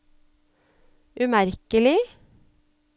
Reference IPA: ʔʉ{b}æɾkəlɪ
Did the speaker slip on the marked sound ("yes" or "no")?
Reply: yes